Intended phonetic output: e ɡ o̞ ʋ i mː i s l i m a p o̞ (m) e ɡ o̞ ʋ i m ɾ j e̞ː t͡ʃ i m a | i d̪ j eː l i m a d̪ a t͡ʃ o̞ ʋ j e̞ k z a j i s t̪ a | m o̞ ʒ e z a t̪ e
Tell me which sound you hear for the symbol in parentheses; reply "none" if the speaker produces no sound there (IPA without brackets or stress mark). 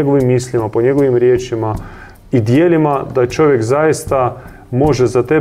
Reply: ɲ